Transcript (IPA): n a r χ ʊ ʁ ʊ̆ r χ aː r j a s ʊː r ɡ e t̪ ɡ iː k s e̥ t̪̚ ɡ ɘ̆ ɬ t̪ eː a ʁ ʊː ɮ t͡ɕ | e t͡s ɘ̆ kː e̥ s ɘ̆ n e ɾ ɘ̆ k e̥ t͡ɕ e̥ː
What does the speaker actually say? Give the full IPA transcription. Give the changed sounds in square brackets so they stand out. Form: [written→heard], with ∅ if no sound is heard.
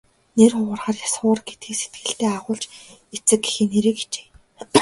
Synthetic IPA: n [a→e] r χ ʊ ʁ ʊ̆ r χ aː r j a s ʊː r ɡ e t̪ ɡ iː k s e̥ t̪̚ ɡ ɘ̆ ɬ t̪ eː a ʁ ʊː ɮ t͡ɕ | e t͡s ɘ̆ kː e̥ [s→x] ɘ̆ n e ɾ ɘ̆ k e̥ t͡ɕ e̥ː